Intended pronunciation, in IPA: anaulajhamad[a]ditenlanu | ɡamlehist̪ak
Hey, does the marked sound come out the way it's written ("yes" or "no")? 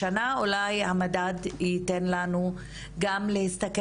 yes